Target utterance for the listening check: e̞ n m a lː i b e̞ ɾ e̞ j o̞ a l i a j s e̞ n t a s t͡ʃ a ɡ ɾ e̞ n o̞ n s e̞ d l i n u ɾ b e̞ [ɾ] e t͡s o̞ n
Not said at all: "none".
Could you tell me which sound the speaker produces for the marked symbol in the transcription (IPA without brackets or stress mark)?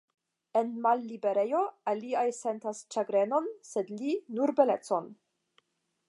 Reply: l